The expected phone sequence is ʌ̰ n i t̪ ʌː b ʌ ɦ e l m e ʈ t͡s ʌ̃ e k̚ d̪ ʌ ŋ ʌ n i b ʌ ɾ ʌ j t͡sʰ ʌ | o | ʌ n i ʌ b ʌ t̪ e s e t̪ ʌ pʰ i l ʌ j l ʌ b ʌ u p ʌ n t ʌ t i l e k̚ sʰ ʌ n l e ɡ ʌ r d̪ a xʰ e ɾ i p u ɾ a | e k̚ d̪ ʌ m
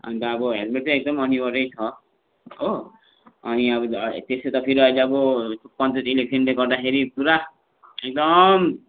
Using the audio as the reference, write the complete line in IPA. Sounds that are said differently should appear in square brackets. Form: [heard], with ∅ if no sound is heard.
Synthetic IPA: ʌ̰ n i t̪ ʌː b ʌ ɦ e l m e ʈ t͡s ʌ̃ e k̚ d̪ ʌ [m] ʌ n i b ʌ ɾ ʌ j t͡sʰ ʌ | o | ʌ n i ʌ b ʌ t̪ e s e t̪ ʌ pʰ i [ɾ] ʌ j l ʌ b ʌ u p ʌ n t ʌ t i l e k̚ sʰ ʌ n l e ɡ ʌ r d̪ a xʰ e ɾ i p u ɾ a | e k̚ d̪ ʌ m